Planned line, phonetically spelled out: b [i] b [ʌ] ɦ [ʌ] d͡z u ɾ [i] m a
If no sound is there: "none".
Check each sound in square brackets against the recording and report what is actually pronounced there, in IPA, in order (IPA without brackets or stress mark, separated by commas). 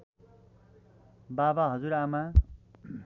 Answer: a, a, ʌ, a